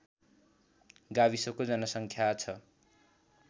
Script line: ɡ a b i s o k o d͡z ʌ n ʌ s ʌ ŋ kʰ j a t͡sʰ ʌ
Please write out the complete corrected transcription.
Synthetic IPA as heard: ɡ a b i s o k o d͡z ʌ n ʌ s ʌ ŋ kʰ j a t͡sʰ ʌ